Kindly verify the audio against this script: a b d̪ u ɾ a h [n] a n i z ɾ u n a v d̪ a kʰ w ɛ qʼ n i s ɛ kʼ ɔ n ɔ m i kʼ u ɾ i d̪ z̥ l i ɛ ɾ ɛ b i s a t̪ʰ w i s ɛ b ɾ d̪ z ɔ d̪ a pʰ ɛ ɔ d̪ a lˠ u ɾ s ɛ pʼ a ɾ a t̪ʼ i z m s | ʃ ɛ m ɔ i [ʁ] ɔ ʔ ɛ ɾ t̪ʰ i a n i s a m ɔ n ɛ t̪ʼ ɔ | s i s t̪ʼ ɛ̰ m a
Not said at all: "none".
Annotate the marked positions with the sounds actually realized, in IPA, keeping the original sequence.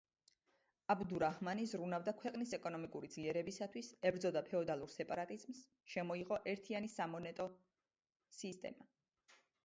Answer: m, ʁ

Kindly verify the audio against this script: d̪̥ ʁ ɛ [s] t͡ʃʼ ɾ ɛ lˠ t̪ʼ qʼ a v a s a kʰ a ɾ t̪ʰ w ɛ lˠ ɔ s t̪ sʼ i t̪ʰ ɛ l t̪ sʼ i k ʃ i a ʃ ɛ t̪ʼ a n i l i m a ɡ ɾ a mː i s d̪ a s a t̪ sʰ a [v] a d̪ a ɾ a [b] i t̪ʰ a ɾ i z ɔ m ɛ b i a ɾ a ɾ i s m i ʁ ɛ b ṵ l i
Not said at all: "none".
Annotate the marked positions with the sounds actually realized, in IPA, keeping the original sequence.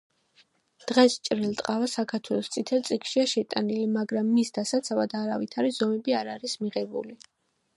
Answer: s, v, v

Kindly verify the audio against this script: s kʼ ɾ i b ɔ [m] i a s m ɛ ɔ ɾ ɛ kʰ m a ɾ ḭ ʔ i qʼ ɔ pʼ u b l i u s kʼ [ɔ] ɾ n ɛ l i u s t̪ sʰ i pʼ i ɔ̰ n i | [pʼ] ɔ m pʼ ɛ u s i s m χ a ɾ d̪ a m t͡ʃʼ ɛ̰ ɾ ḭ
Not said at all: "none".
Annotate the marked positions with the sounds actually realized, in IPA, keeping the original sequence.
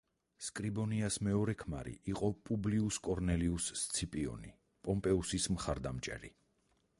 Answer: n, ɔ, pʼ

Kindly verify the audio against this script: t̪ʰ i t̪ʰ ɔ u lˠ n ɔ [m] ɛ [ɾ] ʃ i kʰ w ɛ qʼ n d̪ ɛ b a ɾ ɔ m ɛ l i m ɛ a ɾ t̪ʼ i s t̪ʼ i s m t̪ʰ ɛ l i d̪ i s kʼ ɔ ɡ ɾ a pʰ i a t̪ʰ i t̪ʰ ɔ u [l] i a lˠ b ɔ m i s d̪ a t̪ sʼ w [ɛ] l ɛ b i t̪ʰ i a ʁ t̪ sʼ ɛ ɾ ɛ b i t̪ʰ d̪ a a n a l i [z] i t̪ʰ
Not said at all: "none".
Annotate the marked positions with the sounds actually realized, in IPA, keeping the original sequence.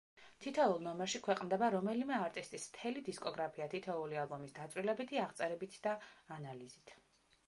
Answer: m, ɾ, l, i, z

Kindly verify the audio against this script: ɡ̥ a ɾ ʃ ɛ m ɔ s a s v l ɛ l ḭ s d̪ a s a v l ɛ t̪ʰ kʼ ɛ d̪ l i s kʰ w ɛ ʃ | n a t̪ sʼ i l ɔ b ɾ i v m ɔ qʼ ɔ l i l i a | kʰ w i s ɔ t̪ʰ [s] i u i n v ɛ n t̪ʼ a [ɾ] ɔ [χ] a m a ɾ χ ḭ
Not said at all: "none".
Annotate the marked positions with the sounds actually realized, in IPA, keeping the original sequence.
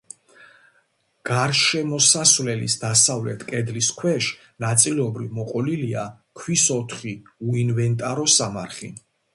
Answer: χ, ɾ, s

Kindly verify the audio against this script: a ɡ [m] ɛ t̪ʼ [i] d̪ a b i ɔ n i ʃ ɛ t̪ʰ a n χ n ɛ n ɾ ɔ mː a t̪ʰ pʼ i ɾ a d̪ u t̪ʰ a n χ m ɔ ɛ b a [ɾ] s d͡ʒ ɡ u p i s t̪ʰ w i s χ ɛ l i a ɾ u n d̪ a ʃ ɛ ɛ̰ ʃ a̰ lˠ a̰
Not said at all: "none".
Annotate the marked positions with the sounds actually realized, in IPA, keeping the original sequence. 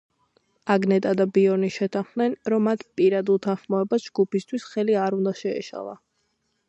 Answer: n, a, none

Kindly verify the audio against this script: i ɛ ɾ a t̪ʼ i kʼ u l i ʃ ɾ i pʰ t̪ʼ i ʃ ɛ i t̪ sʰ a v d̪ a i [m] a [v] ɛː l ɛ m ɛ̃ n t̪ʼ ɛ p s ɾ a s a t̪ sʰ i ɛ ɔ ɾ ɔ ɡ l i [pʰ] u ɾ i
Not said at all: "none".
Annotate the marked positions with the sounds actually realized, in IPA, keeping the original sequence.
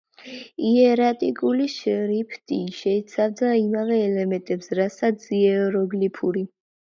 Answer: m, v, pʰ

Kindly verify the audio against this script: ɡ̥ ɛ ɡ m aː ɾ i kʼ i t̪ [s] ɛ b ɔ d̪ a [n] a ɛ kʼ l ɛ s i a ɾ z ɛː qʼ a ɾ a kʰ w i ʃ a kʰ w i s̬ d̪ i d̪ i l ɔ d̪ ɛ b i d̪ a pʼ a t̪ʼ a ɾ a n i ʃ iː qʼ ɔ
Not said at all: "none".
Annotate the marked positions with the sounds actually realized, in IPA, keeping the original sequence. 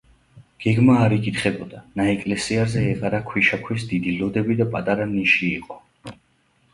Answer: χ, n

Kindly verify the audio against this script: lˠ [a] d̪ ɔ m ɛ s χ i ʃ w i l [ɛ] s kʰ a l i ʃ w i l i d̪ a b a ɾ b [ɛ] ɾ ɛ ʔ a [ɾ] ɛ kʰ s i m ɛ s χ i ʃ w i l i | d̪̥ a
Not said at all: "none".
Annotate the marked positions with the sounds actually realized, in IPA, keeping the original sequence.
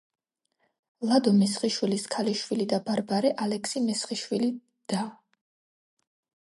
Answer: a, i, a, l

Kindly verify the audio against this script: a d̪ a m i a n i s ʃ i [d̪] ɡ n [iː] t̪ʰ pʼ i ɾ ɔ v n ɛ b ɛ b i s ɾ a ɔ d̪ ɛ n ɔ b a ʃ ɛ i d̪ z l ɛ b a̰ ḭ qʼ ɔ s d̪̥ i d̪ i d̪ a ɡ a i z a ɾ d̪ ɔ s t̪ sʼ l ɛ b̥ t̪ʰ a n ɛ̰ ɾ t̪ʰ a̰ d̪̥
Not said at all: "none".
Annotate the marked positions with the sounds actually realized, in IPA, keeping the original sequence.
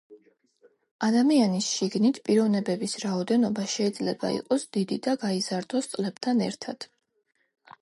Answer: none, i

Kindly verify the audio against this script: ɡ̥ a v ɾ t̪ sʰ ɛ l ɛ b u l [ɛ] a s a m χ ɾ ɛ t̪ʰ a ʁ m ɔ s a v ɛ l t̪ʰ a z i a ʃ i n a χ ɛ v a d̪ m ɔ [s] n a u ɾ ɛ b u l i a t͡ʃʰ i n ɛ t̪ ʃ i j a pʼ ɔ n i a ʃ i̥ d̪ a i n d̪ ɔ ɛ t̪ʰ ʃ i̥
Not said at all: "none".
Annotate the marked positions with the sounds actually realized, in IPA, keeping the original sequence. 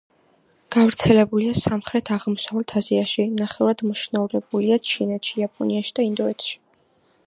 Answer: i, ʃ

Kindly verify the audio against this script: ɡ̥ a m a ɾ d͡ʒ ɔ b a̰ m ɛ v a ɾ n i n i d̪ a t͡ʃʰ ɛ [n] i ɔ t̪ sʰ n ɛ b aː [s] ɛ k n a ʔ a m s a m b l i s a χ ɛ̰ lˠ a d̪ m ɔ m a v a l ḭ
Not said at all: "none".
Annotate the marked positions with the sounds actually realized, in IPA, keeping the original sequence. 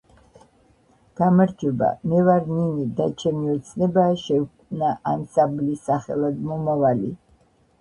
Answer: m, ʃ

